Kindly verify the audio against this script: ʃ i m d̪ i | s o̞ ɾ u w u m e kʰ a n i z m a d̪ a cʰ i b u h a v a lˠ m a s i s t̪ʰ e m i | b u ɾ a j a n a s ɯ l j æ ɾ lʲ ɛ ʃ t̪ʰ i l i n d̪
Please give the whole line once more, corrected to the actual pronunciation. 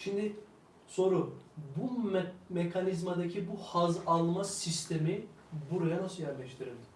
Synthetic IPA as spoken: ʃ i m d̪ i | s o̞ ɾ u b u m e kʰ a n i z m a d̪ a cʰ i b u h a z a lˠ m a s i s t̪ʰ e m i | b u ɾ a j a n a s ɯ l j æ ɾ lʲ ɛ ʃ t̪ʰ i ɾ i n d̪